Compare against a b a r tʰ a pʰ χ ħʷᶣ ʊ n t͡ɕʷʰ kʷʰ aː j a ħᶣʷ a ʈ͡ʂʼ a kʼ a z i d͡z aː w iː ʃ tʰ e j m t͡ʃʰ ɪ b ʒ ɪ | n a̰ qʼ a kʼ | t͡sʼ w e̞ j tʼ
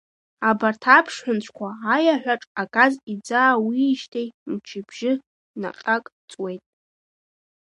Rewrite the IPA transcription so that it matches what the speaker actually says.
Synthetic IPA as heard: a b a r tʰ a pʰ ʂ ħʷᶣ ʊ n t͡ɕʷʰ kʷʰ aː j a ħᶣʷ a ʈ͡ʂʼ a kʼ a z i d͡z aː w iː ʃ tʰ e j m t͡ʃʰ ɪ b ʒ ɪ | n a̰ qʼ a kʼ | t͡sʼ w e̞ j tʼ